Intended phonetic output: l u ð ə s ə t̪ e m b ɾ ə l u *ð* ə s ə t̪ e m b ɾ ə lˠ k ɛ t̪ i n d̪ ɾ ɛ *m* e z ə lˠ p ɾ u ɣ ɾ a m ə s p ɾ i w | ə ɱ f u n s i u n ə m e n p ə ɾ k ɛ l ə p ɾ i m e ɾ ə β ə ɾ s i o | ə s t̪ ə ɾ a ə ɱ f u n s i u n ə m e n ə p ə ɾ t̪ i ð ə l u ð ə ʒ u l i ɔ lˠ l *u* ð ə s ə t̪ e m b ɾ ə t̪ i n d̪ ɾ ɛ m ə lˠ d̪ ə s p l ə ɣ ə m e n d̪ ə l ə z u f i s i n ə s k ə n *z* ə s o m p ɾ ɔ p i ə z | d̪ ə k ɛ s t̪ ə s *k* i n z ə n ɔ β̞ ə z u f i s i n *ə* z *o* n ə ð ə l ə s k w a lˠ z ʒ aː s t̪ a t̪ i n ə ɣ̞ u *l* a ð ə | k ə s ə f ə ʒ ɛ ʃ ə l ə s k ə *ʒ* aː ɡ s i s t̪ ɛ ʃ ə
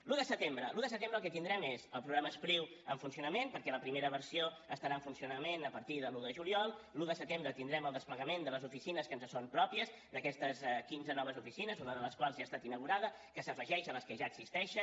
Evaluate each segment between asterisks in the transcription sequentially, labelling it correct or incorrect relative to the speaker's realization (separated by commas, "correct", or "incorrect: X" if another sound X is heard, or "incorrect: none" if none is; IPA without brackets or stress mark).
correct, correct, correct, correct, correct, correct, incorrect: u, incorrect: ɾ, correct